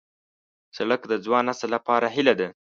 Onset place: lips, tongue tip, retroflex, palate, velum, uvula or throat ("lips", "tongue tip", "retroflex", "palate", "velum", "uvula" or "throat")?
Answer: tongue tip